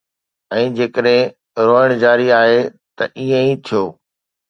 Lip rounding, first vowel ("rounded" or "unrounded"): unrounded